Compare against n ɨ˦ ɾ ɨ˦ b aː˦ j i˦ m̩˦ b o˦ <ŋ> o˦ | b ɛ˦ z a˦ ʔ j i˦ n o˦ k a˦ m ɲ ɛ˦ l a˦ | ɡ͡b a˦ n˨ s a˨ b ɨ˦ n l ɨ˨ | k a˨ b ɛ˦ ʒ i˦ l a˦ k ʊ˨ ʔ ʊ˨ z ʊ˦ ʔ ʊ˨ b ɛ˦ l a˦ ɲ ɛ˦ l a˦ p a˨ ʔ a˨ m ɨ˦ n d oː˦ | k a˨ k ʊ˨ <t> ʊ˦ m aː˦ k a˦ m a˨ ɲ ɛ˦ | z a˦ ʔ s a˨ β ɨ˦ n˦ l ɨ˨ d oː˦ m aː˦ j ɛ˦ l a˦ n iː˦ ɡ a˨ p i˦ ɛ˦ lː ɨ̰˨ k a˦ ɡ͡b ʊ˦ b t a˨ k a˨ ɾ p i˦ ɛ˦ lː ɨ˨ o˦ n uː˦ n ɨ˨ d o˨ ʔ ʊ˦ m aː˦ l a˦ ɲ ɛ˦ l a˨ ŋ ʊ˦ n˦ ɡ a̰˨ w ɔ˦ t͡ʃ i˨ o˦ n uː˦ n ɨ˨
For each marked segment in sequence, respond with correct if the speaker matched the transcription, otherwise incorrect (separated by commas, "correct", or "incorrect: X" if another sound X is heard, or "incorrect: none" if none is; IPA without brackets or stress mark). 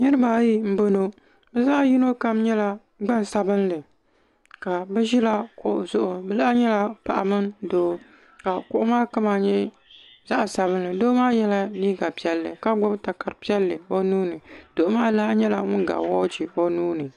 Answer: incorrect: n, incorrect: ʔ